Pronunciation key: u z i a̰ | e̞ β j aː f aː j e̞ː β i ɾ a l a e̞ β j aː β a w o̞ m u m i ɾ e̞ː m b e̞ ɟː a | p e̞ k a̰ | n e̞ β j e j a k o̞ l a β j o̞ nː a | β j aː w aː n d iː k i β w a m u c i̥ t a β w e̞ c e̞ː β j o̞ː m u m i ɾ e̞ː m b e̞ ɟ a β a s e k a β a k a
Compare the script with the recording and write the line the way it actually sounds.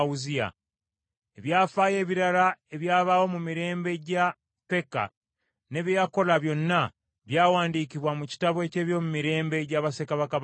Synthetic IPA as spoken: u z i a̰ | e̞ β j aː f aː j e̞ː β i ɾ a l a e̞ β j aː β a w o̞ m u m i ɾ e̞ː m b e̞ ɟ a | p e̞ k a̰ | n e̞ β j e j a k o̞ l a β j o̞ nː a | β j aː w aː n d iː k i β w a m u c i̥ t a β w e̞ c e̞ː β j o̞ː m u m i ɾ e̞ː m b e̞ ɟ a β a s e k a β a k a

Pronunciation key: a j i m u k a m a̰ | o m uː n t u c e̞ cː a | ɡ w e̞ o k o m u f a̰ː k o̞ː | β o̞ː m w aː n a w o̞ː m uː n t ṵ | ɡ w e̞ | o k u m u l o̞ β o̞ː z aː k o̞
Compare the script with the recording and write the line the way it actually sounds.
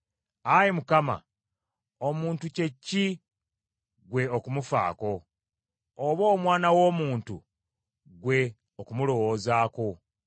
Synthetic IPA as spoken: a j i m u k a m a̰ | o m uː n t u c e̞ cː i | ɡ w e̞ o k u m u f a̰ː k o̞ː | β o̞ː m w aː n a w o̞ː m uː n t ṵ | ɡ w e̞ | o k u m u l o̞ w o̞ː z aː k o̞

